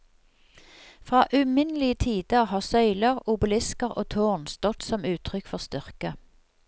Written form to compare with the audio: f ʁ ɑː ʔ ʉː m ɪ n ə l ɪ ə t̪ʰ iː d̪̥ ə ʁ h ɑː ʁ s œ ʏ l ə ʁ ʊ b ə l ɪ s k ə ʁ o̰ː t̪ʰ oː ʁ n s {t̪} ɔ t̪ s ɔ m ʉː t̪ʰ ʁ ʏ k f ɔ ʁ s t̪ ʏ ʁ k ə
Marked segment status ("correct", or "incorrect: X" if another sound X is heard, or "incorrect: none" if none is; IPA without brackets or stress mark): correct